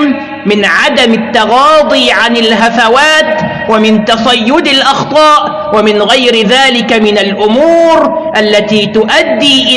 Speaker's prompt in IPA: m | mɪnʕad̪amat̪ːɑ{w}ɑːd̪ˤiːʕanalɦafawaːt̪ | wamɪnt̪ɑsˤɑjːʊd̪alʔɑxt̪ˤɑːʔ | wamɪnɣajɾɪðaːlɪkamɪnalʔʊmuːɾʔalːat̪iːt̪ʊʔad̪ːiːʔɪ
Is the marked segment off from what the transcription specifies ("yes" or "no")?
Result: yes